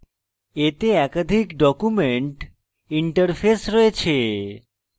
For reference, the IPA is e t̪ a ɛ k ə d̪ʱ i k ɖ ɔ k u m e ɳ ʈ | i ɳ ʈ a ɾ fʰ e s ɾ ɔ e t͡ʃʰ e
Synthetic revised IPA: e t̪ e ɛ k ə d̪ʱ i k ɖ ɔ k u m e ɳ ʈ | i ɳ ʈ ə ɾ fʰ e s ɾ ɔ e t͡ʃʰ e